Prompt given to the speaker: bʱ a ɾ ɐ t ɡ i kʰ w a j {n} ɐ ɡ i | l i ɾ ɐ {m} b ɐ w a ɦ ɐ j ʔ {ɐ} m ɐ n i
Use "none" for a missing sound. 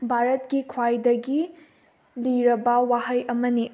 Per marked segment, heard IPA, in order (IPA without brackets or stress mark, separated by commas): d, none, ɐ